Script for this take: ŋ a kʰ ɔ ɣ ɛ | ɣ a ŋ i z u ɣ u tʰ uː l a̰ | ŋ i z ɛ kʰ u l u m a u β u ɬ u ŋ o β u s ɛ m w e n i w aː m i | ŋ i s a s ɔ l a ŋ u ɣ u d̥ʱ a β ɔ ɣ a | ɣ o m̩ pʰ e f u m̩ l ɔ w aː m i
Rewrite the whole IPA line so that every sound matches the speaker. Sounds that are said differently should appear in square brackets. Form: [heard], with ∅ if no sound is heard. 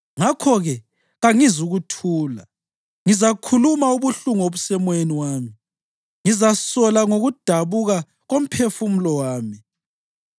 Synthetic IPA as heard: ŋ a kʰ ɔ ɣ ɛ | ɣ a ŋ i z u ɣ u tʰ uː l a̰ | ŋ i z [a] kʰ u l u m a u β u ɬ u ŋ o β u s ɛ m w e n i w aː m i | ŋ i [z] a s ɔ l a ŋ [o] ɣ u d̥ʱ a β [u] ɣ a | ɣ o m̩ pʰ e f u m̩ l ɔ w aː m i